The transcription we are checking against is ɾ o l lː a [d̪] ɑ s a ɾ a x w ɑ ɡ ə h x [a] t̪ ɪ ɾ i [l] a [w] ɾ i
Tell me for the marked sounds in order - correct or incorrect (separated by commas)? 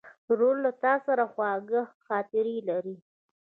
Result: incorrect, incorrect, correct, incorrect